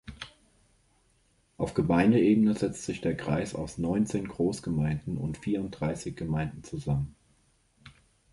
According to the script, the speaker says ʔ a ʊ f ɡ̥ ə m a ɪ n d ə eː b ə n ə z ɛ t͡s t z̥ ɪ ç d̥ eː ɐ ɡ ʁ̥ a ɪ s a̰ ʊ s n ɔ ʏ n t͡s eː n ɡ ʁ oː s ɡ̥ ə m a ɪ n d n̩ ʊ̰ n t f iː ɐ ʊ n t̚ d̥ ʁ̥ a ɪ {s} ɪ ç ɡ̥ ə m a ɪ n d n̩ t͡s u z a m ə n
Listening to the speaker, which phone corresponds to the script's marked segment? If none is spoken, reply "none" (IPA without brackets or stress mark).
s